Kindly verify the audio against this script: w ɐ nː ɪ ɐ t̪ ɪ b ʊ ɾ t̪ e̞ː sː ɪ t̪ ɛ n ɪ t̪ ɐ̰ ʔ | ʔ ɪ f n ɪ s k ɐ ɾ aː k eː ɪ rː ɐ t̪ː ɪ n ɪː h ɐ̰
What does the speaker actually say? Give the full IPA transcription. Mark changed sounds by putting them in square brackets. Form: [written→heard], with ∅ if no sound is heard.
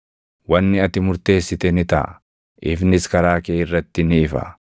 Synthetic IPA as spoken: w ɐ nː ɪ ɐ t̪ ɪ [b→m] ʊ ɾ t̪ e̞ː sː ɪ t̪ ɛ n ɪ t̪ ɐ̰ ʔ | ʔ ɪ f n ɪ s k ɐ ɾ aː k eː ɪ rː ɐ t̪ː ɪ n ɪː [h→f] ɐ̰